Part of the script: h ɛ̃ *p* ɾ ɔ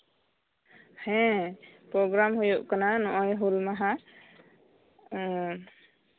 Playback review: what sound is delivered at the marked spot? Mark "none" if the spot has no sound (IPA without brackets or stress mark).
p